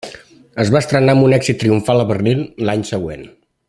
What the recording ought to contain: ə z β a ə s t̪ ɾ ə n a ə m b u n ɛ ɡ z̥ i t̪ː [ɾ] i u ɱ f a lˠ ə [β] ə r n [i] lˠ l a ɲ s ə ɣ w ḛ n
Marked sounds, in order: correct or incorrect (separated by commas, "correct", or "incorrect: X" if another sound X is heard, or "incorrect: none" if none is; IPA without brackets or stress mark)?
correct, correct, correct